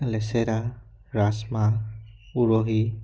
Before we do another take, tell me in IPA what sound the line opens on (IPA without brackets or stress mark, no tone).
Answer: l